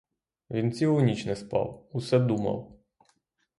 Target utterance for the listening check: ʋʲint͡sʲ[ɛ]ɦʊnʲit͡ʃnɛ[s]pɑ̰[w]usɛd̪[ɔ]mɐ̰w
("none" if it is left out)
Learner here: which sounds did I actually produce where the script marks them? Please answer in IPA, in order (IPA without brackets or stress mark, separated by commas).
i, s, w, u